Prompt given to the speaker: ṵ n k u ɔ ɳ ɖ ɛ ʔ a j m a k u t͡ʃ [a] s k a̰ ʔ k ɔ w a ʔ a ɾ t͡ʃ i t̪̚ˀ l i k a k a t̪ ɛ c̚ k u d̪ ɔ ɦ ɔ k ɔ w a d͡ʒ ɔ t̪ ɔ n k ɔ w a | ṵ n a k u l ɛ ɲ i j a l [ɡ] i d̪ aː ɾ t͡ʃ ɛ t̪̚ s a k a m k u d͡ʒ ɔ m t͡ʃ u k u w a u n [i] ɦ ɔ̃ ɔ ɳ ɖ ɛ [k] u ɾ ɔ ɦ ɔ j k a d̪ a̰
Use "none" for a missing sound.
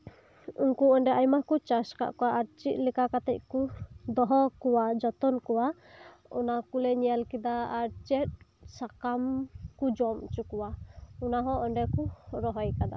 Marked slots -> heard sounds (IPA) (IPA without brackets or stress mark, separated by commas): a, k, a, k